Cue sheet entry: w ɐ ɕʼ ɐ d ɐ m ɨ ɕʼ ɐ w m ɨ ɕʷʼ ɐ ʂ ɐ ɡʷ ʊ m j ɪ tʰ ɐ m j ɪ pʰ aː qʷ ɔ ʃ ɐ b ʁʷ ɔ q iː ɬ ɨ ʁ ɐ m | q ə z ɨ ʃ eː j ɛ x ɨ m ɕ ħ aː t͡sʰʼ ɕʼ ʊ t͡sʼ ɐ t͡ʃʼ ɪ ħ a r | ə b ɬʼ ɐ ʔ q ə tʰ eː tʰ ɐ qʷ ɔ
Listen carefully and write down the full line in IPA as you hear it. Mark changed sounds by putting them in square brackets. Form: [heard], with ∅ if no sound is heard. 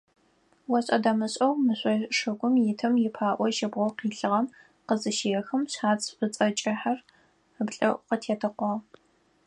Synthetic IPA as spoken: w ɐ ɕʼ ɐ d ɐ m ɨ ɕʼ ɐ w m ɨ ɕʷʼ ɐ ʂ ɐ ɡʷ ʊ m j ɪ tʰ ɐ m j ɪ pʰ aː [ʔʷ] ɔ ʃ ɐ b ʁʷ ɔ q iː ɬ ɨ ʁ ɐ m | q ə z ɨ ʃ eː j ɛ x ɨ m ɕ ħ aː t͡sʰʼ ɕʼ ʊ t͡sʼ ɐ t͡ʃʼ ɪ ħ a r | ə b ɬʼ ɐ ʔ q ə tʰ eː tʰ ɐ qʷ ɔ